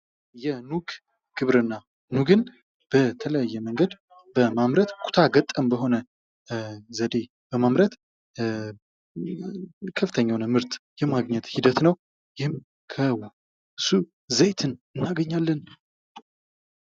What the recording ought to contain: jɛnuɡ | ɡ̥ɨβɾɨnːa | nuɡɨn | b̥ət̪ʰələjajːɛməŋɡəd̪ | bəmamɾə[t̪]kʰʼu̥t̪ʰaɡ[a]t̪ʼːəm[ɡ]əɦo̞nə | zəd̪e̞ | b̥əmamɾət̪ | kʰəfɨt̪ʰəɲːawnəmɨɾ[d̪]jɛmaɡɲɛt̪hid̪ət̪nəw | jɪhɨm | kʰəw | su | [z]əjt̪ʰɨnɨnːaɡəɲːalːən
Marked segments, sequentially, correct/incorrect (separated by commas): correct, incorrect, incorrect, incorrect, correct